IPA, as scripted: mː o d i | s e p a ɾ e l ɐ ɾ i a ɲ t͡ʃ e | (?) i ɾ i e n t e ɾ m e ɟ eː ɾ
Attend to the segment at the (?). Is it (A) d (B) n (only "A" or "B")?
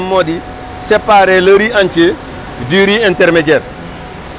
A